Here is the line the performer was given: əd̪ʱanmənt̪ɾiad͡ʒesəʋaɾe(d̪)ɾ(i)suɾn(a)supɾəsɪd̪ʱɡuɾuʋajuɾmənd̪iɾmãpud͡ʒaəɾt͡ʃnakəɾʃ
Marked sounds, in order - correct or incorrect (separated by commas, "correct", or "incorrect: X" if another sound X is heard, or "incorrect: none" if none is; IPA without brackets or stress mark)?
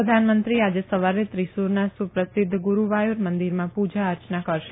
incorrect: t̪, correct, correct